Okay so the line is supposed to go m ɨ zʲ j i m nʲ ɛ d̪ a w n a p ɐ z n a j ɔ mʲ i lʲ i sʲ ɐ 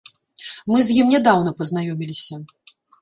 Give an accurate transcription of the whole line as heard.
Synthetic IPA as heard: m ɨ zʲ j i m nʲ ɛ d̪ a w n ɐ p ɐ z n a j ɔ mʲ i lʲ i sʲ ɐ